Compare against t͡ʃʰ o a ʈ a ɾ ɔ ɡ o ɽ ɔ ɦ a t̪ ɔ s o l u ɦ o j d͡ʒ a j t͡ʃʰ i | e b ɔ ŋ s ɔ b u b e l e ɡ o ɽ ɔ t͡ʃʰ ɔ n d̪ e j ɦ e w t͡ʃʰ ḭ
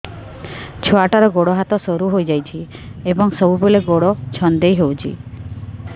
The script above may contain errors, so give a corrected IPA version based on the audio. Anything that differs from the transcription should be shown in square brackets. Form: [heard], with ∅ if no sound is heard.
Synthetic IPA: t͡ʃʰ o a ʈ a ɾ ɔ ɡ o ɽ ɔ ɦ a t̪ ɔ s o [ɾ] u ɦ o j d͡ʒ a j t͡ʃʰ i | e b ɔ ŋ s ɔ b u b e l e ɡ o ɽ ɔ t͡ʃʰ ɔ n d̪ e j ɦ e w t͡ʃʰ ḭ